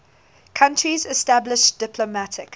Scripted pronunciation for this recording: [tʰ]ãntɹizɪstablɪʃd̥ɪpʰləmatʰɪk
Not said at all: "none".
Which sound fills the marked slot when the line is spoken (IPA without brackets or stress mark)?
kʰ